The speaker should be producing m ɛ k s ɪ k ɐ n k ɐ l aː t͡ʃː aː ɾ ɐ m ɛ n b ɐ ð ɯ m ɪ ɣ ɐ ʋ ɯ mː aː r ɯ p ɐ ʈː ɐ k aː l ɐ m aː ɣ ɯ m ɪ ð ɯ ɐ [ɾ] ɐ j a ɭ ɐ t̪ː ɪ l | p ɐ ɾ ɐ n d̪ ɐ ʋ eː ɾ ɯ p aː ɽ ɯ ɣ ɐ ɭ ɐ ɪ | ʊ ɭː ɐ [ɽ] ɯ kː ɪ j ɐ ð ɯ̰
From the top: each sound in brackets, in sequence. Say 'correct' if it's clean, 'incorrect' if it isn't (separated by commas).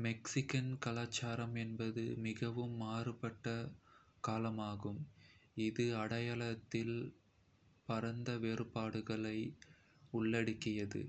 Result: incorrect, correct